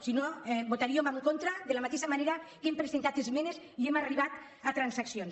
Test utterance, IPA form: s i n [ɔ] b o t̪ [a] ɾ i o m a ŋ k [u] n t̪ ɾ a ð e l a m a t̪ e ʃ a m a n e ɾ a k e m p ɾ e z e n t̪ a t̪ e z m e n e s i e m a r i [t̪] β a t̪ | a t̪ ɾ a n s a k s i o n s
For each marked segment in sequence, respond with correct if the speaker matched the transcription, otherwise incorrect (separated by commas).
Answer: incorrect, correct, incorrect, incorrect